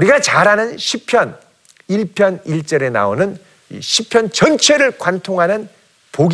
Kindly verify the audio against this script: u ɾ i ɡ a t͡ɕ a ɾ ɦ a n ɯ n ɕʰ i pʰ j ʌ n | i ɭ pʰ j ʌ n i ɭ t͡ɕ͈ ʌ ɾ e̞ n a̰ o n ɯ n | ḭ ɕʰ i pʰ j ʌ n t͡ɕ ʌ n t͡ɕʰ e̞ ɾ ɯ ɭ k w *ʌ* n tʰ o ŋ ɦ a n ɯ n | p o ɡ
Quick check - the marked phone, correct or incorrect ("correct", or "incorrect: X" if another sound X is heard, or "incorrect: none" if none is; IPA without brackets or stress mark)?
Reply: incorrect: a